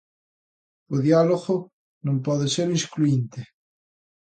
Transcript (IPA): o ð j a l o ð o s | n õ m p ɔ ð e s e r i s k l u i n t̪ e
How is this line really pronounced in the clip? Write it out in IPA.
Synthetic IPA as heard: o ð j a l o ɣ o | n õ m p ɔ ð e s e ɾ i s k l u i n t̪ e

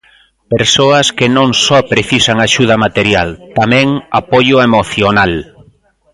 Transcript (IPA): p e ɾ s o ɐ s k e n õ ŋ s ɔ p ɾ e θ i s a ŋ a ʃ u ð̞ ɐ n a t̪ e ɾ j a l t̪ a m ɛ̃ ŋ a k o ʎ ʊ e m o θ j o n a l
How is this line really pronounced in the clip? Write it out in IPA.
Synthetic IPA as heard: p e ɾ s o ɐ s k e n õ ŋ s ɔ p ɾ e θ i s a ŋ a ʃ u ð̞ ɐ m a t̪ e ɾ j a l t̪ a m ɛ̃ ŋ a p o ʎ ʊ e m o θ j o n a l

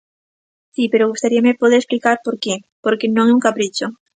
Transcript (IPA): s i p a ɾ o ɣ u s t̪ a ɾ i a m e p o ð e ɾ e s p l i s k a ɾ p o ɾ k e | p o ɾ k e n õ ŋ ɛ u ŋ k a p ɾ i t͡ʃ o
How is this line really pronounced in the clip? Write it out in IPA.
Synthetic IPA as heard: s i p e ɾ o ɣ u s t̪ a ɾ i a m e p o ð e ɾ e s p l i k a ɾ p o ɾ k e | p o ɾ k e n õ ŋ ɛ u ŋ k a p ɾ i t͡ʃ o

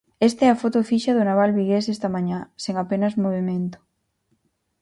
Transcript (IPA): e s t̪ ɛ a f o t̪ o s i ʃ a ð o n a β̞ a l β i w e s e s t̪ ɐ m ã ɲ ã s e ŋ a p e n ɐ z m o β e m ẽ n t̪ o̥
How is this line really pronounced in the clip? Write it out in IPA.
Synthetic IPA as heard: e s t̪ ɛ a f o t̪ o f i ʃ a ð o n a β̞ a l β i ɣ e s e s t̪ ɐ m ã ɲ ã s e ŋ a p e n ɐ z m o β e m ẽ n t̪ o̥

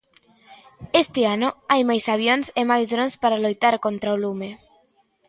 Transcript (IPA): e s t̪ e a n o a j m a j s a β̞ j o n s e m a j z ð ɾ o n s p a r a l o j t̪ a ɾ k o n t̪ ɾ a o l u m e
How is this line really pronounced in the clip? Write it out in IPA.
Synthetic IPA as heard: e s t̪ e a n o a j m a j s a β̞ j o n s e m a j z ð ɾ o n s p a ɾ a l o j t̪ a ɾ k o n t̪ ɾ a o l u m e

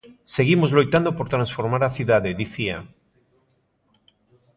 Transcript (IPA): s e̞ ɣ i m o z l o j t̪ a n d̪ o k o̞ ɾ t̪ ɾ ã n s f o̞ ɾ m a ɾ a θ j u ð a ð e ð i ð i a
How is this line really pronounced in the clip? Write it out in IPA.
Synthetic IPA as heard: s e̞ ɣ i m o z l o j t̪ a n d̪ o p o̞ ɾ t̪ ɾ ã n s f o̞ ɾ m a ɾ a θ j u ð a ð e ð i θ i a

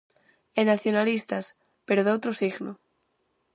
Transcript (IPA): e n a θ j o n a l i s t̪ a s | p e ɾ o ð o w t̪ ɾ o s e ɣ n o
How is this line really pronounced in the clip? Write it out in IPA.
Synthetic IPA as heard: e n a θ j o n a l i s t̪ a s | p e ɾ o ð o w t̪ ɾ o s i ɣ n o

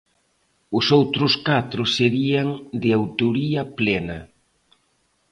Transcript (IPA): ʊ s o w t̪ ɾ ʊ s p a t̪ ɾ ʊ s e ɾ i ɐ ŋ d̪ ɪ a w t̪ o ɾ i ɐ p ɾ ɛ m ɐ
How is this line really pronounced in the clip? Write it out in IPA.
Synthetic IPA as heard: ʊ s o w t̪ ɾ ʊ s k a t̪ ɾ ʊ s e ɾ i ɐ ŋ d̪ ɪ a w t̪ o ɾ i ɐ p l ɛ n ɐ

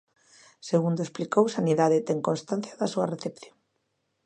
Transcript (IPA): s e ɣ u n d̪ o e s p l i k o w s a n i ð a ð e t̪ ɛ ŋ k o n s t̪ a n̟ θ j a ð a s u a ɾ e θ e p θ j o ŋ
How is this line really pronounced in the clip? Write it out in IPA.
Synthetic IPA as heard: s e ɣ u n d̪ o e s p l i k o w s a n i ð a ð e t̪ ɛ ŋ k o n s t̪ a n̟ θ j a ð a s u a r e θ e p θ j o ŋ

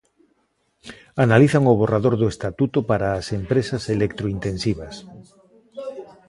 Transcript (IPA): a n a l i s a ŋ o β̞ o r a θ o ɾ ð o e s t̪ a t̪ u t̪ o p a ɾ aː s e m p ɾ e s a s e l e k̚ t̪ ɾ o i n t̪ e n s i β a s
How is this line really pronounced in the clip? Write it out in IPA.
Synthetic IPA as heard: a n a l i θ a ŋ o β̞ o r a ð o ɾ ð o e s t̪ a t̪ u t̪ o p a ɾ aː s e m p ɾ e s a s e l e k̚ t̪ ɾ o i n t̪ e n s i β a s

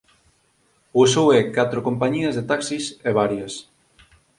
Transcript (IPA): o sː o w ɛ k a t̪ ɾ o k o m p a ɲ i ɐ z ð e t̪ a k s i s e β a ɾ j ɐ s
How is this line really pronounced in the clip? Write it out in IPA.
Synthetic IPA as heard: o s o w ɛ k a t̪ ɾ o k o m p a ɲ i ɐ z ð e t̪ a k s i s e β a ɾ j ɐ s

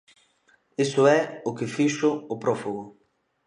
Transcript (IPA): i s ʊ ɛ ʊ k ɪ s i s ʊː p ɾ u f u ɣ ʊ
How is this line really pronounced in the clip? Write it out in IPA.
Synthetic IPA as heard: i s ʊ ɛ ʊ k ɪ f i ʃ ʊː p ɾ ɔ f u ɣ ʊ

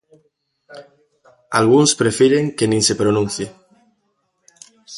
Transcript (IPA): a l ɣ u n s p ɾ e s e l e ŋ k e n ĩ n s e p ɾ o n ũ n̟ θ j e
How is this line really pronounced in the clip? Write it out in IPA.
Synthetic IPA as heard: a l ɣ u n s p ɾ e f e ɾ e ŋ k e n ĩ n s e p ɾ o n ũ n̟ θ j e

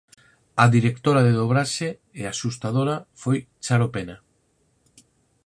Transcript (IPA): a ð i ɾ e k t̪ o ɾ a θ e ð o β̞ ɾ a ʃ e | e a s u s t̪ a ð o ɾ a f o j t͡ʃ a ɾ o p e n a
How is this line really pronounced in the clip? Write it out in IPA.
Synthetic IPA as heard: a ð i ɾ e k t̪ o ɾ a ð e ð o β̞ ɾ a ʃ e | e a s u s t̪ a ð o ɾ a f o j t͡ʃ a ɾ o p e n a

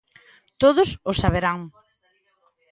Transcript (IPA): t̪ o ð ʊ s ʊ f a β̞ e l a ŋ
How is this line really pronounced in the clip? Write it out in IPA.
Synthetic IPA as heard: t̪ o ð ʊ s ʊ s a β̞ e ɾ a ŋ

